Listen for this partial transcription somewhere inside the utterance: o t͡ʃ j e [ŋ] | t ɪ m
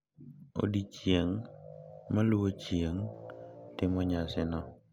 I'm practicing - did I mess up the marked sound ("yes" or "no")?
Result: no